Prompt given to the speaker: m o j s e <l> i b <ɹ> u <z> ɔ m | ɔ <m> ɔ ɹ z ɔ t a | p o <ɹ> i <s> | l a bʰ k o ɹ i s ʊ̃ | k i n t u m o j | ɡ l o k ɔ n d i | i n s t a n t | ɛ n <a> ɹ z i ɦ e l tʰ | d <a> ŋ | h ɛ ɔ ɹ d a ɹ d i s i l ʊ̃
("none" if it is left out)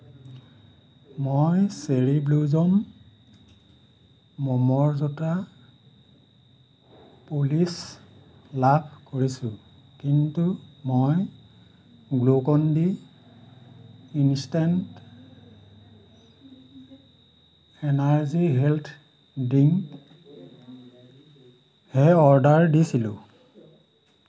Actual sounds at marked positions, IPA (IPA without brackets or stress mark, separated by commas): ɹ, l, z, m, l, s, a, i